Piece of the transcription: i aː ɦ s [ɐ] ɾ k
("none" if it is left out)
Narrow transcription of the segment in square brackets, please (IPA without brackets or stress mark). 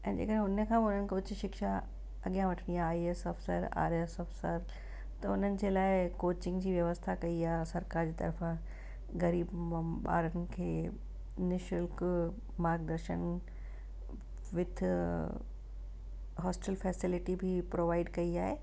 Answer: ɐ